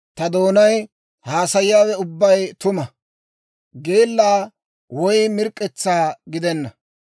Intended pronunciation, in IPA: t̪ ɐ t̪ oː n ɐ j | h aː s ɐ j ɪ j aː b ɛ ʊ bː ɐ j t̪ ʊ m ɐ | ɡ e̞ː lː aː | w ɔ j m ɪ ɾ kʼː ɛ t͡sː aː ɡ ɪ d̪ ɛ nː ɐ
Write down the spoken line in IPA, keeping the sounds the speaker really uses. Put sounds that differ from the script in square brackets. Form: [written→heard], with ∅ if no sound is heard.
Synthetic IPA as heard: t̪ ɐ [t̪→d̪] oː n ɐ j | h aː s ɐ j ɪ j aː [b→w] ɛ ʊ bː ɐ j t̪ ʊ m ɐ | ɡ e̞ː lː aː | w ɔ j m ɪ ɾ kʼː ɛ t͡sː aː ɡ ɪ d̪ ɛ nː ɐ